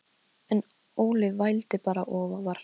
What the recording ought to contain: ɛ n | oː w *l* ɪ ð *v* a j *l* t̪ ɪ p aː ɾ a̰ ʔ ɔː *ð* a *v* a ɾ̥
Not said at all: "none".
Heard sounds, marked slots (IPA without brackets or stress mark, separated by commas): l, v, l, v, v